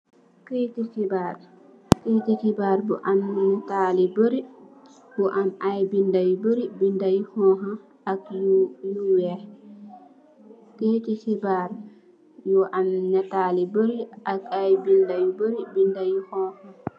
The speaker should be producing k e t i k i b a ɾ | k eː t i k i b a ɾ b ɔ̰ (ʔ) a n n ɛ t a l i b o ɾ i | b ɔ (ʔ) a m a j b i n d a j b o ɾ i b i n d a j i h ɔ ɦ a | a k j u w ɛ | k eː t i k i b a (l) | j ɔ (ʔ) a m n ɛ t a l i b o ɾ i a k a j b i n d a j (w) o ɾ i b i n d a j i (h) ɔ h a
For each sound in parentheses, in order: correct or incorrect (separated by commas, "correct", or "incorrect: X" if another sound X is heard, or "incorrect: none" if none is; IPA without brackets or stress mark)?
correct, correct, incorrect: ɾ, correct, incorrect: b, correct